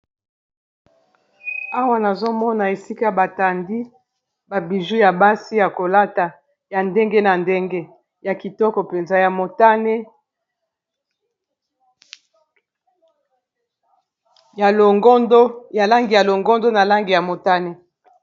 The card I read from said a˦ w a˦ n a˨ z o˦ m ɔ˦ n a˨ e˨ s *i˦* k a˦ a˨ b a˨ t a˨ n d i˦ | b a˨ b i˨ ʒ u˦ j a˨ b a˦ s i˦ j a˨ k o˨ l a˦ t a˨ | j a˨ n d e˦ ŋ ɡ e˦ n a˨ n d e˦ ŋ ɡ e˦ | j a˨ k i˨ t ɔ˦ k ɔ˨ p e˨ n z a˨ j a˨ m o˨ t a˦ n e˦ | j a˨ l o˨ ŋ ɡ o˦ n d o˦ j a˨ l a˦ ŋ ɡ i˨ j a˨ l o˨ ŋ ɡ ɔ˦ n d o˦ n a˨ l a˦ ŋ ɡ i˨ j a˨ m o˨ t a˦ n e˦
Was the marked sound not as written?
no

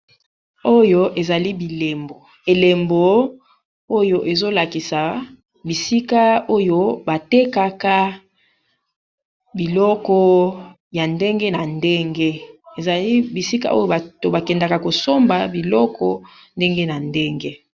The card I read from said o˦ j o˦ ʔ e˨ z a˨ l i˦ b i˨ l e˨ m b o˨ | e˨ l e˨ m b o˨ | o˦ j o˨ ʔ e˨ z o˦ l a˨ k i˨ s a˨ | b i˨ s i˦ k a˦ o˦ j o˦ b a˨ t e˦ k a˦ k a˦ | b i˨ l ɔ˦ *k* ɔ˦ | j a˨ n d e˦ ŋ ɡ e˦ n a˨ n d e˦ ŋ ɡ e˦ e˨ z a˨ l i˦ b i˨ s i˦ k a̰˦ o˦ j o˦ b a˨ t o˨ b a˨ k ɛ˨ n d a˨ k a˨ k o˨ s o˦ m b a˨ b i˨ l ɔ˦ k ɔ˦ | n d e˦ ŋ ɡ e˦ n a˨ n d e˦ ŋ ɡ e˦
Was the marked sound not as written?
no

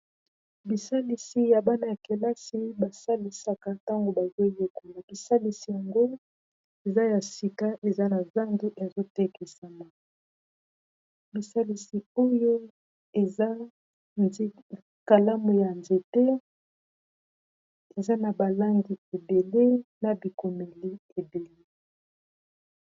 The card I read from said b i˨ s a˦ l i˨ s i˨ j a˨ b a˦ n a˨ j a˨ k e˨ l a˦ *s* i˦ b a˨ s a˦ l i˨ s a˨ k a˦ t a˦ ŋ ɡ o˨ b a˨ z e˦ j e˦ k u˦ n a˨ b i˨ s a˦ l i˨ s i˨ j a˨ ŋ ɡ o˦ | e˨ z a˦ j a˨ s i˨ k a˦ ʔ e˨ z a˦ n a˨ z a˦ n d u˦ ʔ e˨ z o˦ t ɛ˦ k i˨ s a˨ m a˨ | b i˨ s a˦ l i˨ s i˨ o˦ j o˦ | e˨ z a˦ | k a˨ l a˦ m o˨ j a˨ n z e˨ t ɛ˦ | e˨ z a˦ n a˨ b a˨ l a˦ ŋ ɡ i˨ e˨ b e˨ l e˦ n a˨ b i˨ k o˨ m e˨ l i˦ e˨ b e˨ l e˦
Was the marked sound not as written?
no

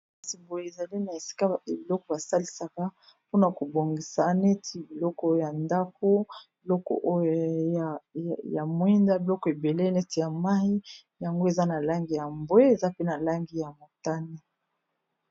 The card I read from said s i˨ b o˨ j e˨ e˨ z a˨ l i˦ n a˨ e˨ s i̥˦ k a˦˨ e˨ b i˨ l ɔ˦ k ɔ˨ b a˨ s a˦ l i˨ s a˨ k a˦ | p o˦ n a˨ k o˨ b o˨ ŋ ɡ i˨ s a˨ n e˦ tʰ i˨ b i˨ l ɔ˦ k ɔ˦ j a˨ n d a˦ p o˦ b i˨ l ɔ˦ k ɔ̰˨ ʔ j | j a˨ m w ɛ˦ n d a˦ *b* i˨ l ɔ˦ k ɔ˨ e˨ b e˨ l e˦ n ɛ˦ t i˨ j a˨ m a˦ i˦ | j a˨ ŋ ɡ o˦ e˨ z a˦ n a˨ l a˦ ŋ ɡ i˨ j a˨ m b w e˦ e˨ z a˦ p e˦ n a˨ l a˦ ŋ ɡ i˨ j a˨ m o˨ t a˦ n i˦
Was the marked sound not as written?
no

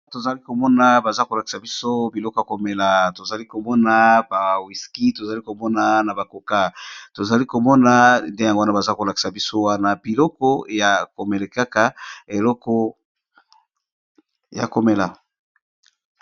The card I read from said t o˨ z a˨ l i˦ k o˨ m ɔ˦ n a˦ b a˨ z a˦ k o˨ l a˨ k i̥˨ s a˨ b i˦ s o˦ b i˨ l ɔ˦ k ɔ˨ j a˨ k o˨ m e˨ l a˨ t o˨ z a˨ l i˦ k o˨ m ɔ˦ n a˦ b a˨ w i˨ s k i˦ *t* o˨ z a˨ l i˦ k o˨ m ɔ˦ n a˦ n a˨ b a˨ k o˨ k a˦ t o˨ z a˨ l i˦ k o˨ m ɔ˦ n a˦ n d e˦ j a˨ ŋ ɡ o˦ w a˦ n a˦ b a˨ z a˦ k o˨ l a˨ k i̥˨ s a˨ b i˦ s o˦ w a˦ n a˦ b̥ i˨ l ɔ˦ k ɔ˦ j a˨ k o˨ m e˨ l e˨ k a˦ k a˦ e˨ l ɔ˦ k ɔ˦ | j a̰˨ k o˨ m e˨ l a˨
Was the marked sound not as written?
no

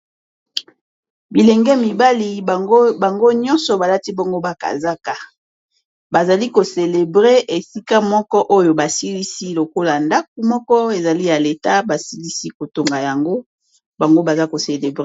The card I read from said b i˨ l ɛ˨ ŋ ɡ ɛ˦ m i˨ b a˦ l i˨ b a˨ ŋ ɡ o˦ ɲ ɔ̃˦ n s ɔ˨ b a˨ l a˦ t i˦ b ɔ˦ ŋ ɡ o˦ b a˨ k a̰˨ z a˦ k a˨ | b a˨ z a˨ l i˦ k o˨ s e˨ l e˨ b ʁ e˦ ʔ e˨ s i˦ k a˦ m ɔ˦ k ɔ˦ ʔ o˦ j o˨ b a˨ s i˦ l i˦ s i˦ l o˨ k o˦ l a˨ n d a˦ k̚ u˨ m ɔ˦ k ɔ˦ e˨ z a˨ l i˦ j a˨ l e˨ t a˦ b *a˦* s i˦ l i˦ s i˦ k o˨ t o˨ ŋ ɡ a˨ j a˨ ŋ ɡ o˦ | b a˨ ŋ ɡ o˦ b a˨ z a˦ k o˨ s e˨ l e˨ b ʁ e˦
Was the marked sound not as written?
yes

